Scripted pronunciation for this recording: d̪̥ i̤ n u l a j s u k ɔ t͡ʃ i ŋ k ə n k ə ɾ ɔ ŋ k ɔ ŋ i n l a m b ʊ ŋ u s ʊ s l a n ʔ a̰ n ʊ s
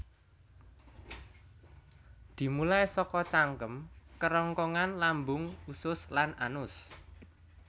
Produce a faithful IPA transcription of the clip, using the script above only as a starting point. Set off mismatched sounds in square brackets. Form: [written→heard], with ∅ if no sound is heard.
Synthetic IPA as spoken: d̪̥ i̤ [n→m] u l a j s [u→ɔ] k ɔ t͡ʃ [i→a] ŋ k ə [n→m] k ə ɾ ɔ ŋ k ɔ ŋ [i→a] n l a m b ʊ ŋ u s ʊ s l a n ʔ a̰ n ʊ s